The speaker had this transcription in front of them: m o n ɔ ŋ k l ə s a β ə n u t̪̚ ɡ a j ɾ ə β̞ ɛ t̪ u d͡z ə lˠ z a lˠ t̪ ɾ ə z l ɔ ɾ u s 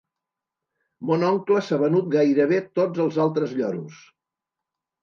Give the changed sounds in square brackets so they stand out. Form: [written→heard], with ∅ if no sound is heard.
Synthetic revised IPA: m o n ɔ ŋ k l ə s a β ə n u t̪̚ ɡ a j ɾ ə β̞ [ɛ→e] t̪ [u→o] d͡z ə lˠ z a lˠ t̪ ɾ ə z [l→ʎ] ɔ ɾ u s